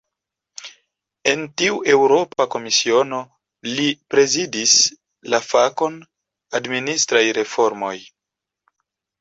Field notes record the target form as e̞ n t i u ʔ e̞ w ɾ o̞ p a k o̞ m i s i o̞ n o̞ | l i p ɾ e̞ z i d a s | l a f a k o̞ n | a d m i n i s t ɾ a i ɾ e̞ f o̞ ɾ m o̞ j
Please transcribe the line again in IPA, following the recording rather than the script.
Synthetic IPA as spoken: e̞ n t i u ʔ e̞ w ɾ o̞ p a k o̞ m i s i o̞ n o̞ | l i p ɾ e̞ z i d i s | l a f a k o̞ n | a d m i n i s t ɾ a j ɾ e̞ f o̞ ɾ m o̞ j